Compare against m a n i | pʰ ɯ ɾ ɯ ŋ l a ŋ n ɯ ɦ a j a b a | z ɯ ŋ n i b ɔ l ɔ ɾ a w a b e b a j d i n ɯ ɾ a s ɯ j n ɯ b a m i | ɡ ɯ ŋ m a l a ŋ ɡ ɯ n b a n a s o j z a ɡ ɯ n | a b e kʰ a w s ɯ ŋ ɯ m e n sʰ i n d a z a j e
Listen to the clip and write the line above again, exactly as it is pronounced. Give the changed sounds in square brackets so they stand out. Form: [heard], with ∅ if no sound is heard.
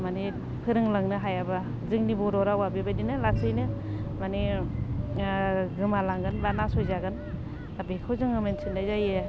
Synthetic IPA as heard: m a n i | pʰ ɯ ɾ ɯ ŋ l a ŋ n ɯ ɦ a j a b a | z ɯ ŋ n i b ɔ [ɾ] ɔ ɾ a w a b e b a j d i n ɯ [l] a s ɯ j n ɯ [m] a [n] i | ɡ ɯ [∅] m a l a ŋ ɡ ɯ n b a n a s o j z a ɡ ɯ n | a b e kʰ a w [z] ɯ ŋ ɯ m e n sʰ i n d a z a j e